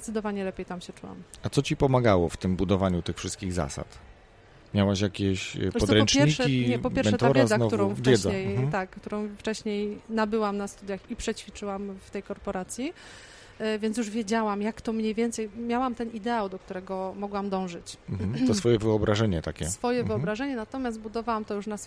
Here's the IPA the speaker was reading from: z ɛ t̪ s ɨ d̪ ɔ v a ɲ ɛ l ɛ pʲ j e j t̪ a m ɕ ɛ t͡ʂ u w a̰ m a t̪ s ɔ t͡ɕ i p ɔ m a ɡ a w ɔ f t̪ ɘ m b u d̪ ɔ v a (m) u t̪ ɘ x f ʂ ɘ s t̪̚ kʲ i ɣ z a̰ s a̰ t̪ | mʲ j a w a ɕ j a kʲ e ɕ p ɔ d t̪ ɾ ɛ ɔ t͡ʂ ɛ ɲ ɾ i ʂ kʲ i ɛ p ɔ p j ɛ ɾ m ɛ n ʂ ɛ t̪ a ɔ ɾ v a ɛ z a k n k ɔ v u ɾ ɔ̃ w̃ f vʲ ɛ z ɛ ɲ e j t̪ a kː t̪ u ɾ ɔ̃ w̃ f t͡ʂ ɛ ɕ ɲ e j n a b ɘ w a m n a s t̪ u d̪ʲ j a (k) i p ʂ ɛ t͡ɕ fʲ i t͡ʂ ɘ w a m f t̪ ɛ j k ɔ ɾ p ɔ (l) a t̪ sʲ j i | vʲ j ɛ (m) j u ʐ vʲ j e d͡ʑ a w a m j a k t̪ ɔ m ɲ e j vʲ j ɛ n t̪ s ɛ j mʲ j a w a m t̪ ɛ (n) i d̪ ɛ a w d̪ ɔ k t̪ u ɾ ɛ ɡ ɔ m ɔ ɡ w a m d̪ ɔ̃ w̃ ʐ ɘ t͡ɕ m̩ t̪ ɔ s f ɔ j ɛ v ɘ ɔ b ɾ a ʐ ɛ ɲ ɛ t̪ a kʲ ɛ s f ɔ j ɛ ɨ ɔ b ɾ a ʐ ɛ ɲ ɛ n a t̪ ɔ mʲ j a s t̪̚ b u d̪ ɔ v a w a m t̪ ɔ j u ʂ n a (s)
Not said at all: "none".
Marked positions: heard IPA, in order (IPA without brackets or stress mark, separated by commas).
ɲ, x, ɾ, n, n, s